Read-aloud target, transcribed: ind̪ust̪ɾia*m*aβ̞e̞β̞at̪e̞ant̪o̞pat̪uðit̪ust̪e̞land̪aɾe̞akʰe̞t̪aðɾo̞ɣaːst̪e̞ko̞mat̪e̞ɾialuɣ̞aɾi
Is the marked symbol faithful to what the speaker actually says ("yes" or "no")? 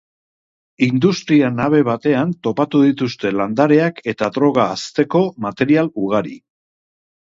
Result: no